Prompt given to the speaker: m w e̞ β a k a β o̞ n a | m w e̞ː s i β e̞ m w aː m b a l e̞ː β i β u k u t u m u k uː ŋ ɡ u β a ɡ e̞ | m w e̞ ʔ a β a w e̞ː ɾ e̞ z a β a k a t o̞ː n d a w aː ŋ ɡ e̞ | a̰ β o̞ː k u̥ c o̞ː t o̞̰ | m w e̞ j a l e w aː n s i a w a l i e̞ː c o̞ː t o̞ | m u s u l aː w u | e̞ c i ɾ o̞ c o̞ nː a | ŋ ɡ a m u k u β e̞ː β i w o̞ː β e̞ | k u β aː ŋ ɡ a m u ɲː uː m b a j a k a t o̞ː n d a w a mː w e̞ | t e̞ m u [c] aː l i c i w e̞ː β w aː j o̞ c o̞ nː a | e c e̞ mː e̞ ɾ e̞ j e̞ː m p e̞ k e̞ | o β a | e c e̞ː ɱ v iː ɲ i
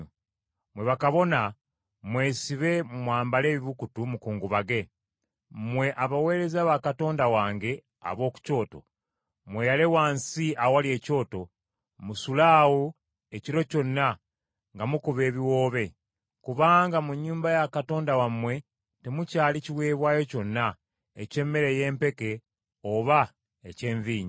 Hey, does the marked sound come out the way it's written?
yes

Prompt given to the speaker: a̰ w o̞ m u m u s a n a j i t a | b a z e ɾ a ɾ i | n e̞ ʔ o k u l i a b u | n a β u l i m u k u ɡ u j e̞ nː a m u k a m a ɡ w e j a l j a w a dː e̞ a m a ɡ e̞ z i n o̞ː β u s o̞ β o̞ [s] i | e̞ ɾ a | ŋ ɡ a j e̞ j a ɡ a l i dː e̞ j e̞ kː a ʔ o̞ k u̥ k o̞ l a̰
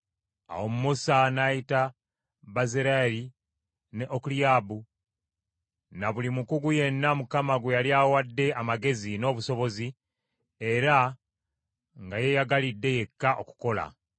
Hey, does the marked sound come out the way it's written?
no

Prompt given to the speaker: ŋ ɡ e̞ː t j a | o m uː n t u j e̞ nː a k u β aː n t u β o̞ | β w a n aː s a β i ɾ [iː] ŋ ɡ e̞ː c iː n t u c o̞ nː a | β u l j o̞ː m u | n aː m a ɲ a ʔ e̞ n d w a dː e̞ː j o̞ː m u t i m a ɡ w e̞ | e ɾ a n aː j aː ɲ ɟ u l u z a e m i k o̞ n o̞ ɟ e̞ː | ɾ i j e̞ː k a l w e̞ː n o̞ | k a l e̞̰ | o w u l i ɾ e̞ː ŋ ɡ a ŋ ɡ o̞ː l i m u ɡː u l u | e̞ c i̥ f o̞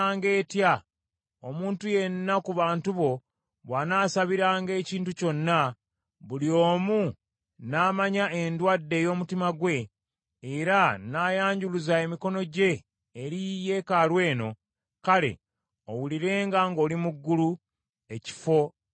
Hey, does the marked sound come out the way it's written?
no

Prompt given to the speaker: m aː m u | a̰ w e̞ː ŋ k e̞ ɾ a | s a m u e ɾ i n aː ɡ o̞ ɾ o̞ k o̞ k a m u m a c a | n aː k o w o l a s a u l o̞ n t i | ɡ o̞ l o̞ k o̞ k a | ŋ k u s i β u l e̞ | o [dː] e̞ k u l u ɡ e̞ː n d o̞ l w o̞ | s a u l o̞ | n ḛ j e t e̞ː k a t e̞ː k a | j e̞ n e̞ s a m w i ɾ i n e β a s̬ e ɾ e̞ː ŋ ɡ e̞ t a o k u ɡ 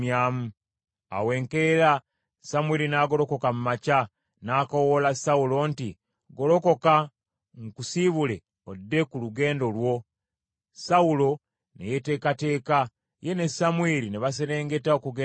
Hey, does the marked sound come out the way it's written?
yes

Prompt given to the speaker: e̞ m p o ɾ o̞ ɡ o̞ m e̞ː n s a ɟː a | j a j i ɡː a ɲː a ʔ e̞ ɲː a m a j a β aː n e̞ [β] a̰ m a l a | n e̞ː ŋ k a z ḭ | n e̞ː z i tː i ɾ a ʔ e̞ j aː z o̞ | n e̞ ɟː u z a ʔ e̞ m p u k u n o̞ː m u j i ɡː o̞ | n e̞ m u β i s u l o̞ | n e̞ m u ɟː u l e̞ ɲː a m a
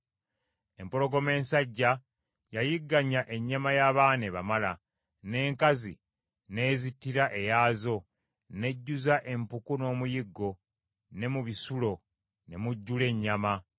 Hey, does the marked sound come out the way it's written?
yes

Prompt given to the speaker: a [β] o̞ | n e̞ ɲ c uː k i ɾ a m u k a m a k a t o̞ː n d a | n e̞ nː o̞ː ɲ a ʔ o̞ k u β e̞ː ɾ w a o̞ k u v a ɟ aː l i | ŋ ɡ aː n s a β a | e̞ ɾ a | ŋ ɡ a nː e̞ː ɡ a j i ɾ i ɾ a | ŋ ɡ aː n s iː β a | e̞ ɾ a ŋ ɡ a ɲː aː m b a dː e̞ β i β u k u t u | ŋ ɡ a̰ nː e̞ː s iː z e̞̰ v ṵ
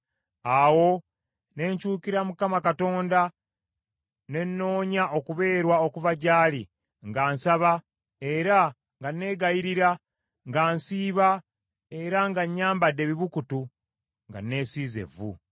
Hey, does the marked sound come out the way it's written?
no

